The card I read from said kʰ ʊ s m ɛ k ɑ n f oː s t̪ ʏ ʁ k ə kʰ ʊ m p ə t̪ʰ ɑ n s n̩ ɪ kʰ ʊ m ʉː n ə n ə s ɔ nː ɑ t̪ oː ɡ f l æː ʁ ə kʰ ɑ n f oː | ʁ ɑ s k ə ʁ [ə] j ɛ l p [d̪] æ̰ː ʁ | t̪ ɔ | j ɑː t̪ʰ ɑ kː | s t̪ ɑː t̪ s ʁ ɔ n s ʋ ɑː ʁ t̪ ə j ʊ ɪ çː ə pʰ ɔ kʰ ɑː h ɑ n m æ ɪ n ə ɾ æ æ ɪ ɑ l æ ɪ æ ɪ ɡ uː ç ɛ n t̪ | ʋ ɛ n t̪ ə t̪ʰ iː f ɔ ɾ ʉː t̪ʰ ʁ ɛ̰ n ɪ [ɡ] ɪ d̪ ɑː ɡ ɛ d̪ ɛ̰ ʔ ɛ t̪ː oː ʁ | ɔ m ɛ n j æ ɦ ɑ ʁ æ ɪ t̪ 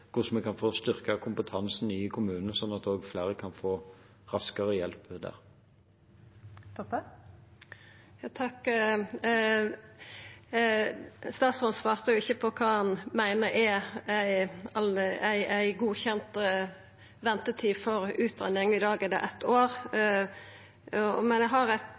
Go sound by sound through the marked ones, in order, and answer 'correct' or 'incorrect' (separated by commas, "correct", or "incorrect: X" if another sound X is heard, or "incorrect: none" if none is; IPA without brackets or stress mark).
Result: correct, correct, incorrect: ŋ